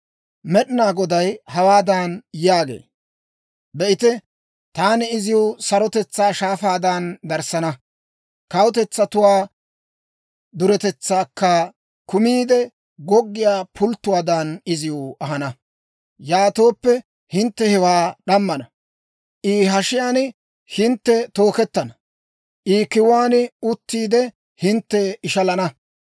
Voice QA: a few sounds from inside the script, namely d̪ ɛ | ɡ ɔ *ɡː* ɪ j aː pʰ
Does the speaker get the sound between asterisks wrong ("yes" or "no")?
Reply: no